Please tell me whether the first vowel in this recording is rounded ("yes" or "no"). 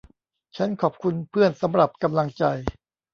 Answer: no